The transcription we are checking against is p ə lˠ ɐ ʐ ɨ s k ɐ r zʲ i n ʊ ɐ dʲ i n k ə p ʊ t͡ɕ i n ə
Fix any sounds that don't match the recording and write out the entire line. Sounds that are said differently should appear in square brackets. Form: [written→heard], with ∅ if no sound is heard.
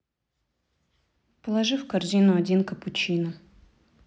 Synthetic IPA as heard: p ə lˠ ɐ ʐ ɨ [s→f] k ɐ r zʲ i n ʊ ɐ dʲ i n k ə p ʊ t͡ɕ i n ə

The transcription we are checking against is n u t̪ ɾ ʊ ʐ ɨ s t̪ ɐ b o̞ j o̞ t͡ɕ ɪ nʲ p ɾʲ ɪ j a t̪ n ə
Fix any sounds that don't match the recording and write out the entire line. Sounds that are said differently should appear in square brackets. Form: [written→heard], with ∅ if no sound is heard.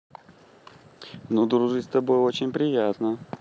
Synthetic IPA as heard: n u [t̪→d̪] ɾ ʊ ʐ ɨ s t̪ ɐ b o̞ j o̞ t͡ɕ ɪ nʲ p ɾʲ ɪ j a t̪ n ə

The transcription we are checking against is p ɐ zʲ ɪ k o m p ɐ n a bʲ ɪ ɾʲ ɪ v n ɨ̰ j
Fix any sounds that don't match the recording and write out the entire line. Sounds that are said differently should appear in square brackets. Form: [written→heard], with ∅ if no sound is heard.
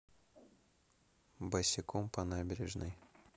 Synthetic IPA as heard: [p→b] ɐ [zʲ→sʲ] ɪ k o m p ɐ n a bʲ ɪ ɾʲ ɪ [v→ʐ] n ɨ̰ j

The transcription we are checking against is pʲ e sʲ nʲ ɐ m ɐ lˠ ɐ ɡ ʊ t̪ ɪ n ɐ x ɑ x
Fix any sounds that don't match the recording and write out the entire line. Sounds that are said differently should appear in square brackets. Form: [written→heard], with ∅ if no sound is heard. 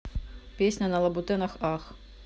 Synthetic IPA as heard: pʲ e sʲ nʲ ɐ [m→n] ɐ lˠ ɐ [ɡ→b] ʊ t̪ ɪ n ɐ x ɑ x

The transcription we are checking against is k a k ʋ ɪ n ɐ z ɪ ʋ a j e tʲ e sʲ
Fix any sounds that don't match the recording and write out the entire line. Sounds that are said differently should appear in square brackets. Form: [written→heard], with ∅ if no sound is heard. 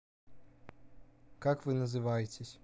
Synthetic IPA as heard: k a k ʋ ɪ n ɐ z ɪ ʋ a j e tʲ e sʲ

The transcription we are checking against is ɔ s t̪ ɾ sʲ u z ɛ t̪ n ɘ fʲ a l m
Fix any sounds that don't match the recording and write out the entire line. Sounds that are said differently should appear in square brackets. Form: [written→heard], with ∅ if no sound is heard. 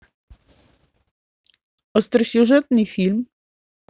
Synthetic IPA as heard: ɔ s t̪ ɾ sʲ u [z→ʐ] ɛ t̪ n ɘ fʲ [a→i] l m

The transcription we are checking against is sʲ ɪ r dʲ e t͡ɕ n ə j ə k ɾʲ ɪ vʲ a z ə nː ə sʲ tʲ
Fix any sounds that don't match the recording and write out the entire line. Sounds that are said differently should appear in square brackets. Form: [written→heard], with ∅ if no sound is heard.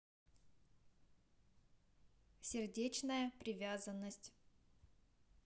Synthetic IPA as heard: sʲ ɪ r dʲ e t͡ɕ n ə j ə [k→p] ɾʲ ɪ vʲ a z ə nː ə sʲ tʲ

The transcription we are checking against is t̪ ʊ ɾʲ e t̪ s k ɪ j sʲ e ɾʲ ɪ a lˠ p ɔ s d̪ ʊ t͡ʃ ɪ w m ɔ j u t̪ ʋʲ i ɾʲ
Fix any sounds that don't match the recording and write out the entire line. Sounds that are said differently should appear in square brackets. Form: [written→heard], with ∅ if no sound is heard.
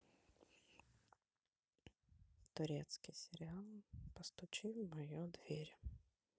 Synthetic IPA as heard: t̪ ʊ ɾʲ [e→ɛ] t̪ s k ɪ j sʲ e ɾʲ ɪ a lˠ p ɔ s [d̪→t̪] ʊ t͡ʃ ɪ w m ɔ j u [t̪→d̪] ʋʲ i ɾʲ

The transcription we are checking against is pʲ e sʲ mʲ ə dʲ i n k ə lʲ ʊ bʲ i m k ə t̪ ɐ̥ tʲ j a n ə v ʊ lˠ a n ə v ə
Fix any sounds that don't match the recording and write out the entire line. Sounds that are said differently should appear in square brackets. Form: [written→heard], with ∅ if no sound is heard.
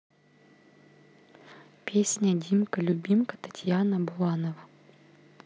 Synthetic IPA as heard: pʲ e sʲ [mʲ→nʲ] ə dʲ i [n→m] k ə lʲ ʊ bʲ i m k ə t̪ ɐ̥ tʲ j a n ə [v→b] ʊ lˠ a n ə v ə

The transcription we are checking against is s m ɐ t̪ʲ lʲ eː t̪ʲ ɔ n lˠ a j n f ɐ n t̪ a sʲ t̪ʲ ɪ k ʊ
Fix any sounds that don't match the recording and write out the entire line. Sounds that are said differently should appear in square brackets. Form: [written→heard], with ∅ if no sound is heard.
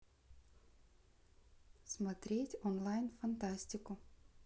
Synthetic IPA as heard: s m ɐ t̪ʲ [lʲ→ɾʲ] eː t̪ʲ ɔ n lˠ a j n f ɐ n t̪ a sʲ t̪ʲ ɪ k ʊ

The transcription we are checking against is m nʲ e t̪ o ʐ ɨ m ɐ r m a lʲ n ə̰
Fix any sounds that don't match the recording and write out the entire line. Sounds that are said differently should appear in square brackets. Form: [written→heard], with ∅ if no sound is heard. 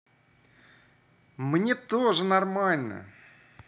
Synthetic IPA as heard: m nʲ e t̪ o ʐ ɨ [m→n] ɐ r m a lʲ n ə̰

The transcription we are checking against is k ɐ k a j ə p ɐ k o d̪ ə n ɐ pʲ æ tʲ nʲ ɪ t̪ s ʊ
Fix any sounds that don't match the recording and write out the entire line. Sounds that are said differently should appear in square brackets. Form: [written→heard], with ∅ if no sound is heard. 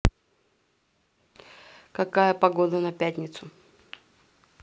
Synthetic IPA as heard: k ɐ k a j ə p ɐ [k→ɡ] o d̪ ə n ɐ pʲ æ tʲ nʲ ɪ t̪ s ʊ

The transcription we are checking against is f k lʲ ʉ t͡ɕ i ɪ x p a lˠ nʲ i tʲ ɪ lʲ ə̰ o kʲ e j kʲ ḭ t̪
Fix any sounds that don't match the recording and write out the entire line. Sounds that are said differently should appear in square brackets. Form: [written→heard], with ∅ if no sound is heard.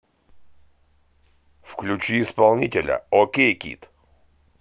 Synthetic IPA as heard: f k lʲ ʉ t͡ɕ i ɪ [x→s] p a lˠ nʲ i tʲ ɪ lʲ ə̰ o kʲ e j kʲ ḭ t̪

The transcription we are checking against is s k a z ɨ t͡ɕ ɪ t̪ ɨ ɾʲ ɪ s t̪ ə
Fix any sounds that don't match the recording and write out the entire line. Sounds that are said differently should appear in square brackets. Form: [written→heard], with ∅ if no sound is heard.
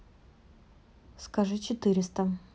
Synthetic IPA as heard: s k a [z→ʐ] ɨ t͡ɕ ɪ t̪ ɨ ɾʲ ɪ s t̪ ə

